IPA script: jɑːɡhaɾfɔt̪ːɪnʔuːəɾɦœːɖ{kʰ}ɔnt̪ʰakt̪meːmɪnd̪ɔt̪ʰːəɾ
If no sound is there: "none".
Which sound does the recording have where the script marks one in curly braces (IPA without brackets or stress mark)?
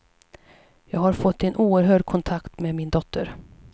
kʰ